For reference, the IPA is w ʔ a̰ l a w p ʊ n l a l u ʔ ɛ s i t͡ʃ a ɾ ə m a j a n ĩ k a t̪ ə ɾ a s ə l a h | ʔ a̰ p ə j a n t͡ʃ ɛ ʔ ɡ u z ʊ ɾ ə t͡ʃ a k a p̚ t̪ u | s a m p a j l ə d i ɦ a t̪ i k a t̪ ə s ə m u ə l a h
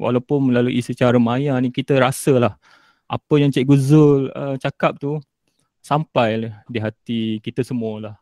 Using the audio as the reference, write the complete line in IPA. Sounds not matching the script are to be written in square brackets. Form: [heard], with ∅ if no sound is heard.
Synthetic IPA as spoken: w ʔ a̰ l a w p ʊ n l a l u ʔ [i] s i t͡ʃ a ɾ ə m a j a n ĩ k [i] t̪ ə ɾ a s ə l a h | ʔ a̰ p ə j a [ŋ] t͡ʃ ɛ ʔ ɡ u z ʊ [l] ə t͡ʃ a k a p̚ t̪ u | s a m p a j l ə d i ɦ a t̪ i k [i] t̪ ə s ə m u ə l a h